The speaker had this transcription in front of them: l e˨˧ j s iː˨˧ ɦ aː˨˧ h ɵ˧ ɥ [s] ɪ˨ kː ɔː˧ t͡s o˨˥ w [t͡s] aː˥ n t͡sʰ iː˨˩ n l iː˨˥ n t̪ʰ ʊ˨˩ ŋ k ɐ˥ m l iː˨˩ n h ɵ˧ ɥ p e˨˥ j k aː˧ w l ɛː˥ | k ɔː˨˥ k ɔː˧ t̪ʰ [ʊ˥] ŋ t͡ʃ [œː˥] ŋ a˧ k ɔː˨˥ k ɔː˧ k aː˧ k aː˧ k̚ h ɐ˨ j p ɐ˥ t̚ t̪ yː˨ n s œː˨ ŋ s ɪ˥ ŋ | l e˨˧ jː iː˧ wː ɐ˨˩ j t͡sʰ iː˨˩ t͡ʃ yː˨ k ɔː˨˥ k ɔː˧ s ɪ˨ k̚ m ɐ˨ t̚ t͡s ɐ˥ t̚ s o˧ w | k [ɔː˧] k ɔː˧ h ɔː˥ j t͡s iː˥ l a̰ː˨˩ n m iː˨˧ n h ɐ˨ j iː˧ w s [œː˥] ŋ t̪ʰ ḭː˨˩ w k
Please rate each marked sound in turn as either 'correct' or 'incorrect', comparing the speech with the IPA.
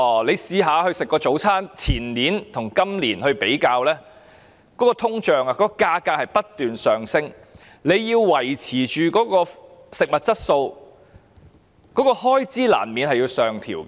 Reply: correct, incorrect, correct, incorrect, incorrect, incorrect

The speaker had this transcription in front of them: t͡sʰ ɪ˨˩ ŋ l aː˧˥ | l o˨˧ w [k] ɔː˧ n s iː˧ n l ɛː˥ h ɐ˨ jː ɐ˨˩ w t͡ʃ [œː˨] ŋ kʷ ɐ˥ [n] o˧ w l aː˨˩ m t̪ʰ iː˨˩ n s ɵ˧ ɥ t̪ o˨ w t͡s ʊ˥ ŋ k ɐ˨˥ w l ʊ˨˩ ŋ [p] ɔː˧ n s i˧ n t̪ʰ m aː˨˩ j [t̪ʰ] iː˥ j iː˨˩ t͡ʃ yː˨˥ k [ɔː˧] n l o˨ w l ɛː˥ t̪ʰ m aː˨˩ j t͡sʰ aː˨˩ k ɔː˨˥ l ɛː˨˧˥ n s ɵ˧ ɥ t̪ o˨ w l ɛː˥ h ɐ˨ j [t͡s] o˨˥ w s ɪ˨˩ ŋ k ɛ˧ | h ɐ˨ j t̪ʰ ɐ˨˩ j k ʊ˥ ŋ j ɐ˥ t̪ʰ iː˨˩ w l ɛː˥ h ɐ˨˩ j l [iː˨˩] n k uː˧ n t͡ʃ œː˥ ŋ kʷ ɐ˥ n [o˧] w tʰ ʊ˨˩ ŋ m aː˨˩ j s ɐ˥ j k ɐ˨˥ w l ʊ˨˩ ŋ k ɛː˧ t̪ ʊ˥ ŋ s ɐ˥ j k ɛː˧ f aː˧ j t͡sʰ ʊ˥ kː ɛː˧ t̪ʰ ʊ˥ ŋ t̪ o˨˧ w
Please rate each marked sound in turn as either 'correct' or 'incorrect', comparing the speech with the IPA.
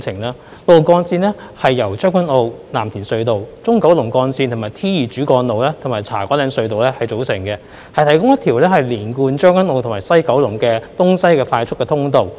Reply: correct, incorrect, correct, incorrect, correct, correct, correct, correct, correct

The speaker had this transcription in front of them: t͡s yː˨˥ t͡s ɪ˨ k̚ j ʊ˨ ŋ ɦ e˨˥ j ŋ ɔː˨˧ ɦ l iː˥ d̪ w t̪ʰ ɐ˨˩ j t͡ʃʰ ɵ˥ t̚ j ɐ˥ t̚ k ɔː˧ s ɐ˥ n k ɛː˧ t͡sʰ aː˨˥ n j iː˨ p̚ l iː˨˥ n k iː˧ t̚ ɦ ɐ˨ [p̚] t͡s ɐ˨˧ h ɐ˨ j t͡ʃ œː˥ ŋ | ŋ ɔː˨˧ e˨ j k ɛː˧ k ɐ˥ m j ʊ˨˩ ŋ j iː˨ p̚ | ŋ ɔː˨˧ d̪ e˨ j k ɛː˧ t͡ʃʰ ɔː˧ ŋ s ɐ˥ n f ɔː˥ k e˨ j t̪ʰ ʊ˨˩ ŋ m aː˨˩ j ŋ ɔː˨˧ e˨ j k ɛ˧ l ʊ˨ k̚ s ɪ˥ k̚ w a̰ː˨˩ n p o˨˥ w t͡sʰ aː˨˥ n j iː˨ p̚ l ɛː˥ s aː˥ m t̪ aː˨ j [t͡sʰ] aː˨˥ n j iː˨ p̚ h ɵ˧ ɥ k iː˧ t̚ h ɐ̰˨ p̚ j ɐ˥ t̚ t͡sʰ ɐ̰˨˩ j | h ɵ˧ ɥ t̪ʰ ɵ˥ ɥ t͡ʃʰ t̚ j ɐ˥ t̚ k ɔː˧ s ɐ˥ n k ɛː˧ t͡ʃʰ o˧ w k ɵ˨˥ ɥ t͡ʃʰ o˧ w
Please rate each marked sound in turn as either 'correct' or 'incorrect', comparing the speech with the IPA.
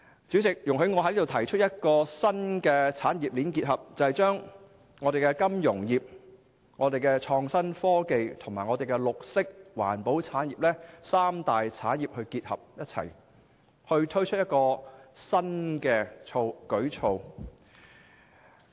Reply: correct, correct

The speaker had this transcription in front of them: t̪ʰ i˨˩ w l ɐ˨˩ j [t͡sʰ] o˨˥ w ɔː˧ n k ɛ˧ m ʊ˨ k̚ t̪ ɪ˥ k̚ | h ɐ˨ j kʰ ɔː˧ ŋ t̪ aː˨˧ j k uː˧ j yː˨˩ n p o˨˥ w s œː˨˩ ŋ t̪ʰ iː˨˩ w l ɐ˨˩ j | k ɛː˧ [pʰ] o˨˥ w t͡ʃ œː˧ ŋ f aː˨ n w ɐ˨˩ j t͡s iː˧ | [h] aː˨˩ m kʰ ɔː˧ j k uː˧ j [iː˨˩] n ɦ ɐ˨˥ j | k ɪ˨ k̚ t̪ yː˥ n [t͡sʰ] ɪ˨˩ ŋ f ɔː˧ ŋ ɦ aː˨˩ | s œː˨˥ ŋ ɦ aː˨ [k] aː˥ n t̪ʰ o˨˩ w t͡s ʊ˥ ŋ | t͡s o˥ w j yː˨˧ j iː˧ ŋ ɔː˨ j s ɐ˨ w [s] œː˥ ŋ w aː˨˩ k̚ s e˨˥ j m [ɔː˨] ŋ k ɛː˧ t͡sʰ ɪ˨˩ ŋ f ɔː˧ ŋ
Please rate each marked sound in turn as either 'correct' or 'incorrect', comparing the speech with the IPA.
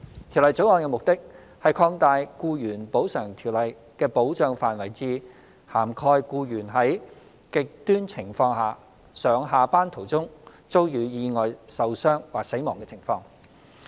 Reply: incorrect, incorrect, correct, incorrect, correct, incorrect, correct, correct

